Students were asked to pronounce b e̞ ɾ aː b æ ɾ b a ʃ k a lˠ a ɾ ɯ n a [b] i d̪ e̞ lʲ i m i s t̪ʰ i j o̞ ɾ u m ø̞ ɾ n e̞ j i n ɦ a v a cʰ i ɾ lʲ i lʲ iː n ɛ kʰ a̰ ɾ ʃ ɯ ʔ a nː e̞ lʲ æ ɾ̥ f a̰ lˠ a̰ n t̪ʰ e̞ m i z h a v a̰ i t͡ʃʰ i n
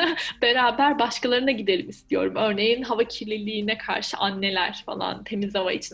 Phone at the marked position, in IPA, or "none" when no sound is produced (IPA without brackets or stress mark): ɟ